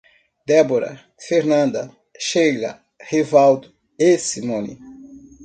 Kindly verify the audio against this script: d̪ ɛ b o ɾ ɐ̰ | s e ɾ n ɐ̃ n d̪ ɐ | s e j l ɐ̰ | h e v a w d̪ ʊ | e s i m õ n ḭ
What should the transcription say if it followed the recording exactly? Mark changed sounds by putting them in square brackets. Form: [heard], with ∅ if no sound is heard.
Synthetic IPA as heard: d̪ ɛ b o ɾ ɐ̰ | [f] e ɾ n ɐ̃ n d̪ ɐ | [ʃ] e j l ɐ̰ | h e v a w d̪ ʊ | e s i m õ n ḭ